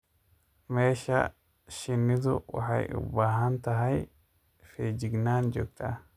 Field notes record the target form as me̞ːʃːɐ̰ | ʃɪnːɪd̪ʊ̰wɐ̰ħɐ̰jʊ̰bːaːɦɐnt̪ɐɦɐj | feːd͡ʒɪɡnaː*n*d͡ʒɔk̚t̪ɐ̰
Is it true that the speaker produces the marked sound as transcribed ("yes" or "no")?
yes